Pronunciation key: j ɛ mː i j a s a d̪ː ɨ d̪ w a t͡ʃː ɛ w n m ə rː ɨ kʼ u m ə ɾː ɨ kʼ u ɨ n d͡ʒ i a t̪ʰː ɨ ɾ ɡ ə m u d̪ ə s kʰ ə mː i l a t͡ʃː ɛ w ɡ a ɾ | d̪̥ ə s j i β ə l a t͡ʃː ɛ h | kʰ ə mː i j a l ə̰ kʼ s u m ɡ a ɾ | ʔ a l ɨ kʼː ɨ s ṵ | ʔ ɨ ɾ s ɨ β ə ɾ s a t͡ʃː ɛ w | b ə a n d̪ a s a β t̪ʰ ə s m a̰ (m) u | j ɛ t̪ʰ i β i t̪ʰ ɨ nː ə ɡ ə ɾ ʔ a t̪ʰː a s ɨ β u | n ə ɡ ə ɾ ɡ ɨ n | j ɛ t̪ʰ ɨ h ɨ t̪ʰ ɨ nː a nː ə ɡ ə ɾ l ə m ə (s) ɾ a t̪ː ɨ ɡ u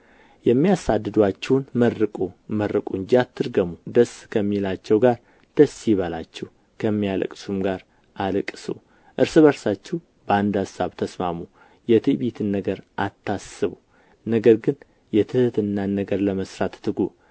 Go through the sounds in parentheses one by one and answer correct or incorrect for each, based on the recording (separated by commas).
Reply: correct, correct